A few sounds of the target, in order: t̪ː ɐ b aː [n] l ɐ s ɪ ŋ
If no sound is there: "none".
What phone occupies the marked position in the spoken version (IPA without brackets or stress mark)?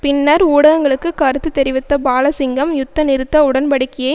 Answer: none